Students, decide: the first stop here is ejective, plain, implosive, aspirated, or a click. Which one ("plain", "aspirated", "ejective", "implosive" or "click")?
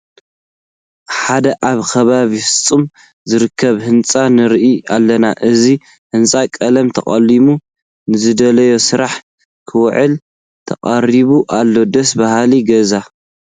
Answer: plain